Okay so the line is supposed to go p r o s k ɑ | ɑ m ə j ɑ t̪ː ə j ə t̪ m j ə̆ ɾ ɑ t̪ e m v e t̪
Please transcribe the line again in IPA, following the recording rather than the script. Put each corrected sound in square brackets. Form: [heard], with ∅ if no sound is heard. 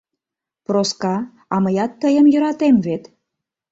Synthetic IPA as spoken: p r o s k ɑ | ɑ m ə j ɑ t̪ː ə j ə [∅] m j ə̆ ɾ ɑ t̪ e m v e t̪